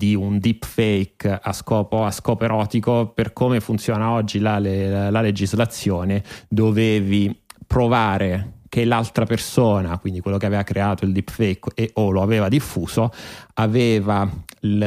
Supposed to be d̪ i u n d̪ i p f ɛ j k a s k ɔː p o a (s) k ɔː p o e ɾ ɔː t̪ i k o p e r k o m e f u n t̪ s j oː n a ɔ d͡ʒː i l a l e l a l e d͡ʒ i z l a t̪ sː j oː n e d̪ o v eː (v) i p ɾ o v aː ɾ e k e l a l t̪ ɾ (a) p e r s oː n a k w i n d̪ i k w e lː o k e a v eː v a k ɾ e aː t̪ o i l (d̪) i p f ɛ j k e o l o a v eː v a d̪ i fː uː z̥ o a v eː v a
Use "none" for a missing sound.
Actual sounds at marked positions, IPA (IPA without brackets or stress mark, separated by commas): s, v, a, d̪